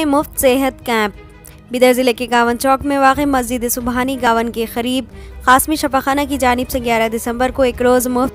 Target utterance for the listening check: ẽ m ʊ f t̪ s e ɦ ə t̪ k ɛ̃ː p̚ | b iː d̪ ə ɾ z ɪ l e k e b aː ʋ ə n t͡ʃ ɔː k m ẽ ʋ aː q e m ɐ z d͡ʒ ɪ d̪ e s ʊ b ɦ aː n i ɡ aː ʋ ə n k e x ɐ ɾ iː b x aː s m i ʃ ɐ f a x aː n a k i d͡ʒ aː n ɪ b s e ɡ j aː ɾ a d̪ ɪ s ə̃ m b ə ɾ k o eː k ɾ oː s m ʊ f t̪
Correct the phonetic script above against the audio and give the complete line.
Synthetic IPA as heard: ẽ m ʊ f t̪ s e ɦ ə t̪ k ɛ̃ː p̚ | b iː d̪ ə ɾ z ɪ l e k e ɡ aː ʋ ə n t͡ʃ ɔː k m ẽ ʋ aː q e m ɐ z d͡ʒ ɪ d̪ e s ʊ b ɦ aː n i ɡ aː ʋ ə n k e x ɐ ɾ iː b x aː s m i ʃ ɐ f a x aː n a k i d͡ʒ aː n ɪ b s e ɡ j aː ɾ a d̪ ɪ s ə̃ m b ə ɾ k o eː k ɾ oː z m ʊ f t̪